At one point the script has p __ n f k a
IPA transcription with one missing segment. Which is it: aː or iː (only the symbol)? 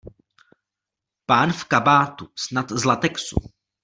aː